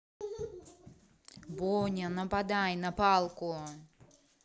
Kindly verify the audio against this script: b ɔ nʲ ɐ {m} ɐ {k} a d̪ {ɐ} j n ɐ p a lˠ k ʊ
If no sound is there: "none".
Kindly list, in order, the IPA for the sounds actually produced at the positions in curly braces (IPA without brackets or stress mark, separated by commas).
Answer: n, p, a